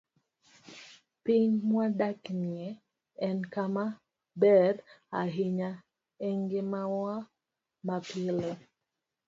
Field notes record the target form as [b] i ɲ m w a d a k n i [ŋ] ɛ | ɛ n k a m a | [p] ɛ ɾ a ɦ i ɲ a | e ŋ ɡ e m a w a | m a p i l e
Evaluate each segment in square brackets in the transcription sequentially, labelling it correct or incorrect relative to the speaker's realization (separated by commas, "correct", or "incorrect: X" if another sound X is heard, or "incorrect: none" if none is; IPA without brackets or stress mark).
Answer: incorrect: p, incorrect: none, incorrect: b